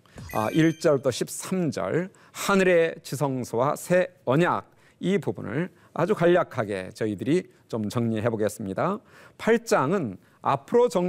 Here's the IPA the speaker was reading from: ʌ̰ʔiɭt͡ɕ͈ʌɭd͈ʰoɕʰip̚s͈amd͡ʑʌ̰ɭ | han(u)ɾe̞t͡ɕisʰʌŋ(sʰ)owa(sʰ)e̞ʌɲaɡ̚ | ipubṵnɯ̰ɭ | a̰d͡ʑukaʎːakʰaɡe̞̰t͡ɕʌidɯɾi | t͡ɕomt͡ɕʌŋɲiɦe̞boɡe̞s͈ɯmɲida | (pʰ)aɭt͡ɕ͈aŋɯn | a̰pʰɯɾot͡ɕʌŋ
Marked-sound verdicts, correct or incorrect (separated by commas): incorrect, correct, correct, correct